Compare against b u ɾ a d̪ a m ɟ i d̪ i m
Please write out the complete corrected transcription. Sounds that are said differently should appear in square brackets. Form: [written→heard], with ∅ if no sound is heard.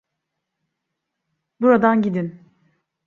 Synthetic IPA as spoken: b u ɾ a d̪ a [m→n] ɟ i d̪ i [m→n]